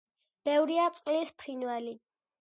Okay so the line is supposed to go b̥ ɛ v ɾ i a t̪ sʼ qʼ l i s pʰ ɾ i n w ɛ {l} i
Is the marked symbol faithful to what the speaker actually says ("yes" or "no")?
yes